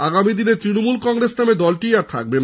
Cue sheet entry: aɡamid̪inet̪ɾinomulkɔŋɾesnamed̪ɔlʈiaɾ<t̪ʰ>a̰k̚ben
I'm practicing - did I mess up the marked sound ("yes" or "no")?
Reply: no